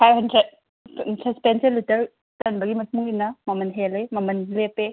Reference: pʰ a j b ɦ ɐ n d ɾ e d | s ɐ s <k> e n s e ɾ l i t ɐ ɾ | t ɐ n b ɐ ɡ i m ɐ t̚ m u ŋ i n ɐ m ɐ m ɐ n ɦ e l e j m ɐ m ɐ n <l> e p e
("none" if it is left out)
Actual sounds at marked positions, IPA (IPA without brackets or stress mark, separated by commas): p, l